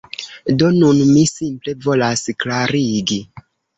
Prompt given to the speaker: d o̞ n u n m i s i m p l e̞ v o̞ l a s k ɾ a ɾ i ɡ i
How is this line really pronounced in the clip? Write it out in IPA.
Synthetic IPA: d o̞ n u n m i s i m p l e̞ v o̞ l a s k l a ɾ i ɡ i